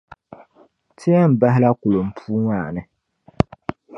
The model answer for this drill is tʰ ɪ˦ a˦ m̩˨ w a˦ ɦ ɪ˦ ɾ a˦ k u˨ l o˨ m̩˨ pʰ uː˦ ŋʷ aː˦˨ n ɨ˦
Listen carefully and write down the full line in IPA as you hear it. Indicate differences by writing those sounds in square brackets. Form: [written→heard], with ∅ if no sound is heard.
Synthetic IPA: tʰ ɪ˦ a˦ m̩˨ [w→b] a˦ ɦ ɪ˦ [ɾ→l] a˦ k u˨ l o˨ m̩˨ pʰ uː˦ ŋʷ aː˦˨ n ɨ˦

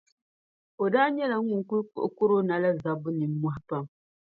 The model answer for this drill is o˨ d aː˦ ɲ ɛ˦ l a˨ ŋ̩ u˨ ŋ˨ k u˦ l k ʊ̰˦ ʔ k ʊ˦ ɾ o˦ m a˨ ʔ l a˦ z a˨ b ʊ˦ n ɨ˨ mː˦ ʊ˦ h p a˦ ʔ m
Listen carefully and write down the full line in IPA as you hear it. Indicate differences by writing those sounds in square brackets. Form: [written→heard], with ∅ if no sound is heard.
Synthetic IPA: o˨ d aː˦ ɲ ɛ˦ l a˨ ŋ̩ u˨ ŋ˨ k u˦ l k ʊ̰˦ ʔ k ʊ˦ ɾ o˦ [m→n] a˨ [ʔ→∅] l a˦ z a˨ b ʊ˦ n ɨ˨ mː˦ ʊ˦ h p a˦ [ʔ→∅] m

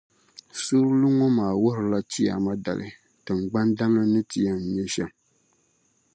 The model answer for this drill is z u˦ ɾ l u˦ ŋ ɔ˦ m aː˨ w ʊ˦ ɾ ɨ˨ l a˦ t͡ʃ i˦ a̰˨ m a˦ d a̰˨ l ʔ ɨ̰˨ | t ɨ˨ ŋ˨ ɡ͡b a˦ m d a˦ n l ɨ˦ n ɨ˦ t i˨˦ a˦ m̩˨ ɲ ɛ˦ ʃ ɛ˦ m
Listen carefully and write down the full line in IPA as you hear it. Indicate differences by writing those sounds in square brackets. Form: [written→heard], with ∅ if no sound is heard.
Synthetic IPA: [z→s] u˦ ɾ l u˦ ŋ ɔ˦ m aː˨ w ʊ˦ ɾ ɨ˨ l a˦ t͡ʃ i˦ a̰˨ m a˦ d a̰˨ l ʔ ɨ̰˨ | t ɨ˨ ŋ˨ ɡ͡b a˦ [m→n] d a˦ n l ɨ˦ n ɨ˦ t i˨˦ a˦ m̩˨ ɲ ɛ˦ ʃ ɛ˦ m

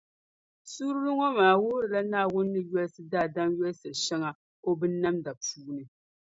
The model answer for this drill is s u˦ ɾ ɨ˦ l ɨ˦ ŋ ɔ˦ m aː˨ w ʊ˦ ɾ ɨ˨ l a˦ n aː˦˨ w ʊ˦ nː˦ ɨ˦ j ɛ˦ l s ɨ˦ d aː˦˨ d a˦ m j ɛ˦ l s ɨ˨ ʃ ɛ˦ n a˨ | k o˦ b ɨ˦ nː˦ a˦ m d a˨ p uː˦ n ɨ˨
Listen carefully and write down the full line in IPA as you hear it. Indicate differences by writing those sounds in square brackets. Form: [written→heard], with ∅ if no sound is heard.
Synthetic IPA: s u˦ ɾ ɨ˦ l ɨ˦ ŋ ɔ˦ m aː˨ w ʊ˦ ɾ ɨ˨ l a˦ n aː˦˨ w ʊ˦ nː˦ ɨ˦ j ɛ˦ l s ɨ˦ d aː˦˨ d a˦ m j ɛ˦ l s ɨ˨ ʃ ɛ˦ [n→ŋ] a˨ | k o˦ b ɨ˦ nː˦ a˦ m d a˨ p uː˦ n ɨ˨

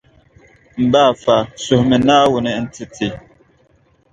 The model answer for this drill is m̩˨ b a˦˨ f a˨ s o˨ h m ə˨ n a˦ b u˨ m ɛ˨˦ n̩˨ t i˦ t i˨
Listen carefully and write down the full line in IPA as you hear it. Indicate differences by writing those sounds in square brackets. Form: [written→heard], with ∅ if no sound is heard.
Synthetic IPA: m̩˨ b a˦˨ f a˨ s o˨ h m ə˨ n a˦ [b→w] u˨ [m→n] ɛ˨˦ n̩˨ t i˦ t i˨

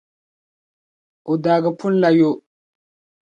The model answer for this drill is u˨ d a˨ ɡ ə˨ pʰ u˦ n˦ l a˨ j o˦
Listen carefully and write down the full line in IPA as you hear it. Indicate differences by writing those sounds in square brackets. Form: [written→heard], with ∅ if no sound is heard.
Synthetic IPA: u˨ d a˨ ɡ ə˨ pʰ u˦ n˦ l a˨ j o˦

